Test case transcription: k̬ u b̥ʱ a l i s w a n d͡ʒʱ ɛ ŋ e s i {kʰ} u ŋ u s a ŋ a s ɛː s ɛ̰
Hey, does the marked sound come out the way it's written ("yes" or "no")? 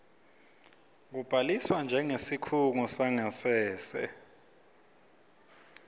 yes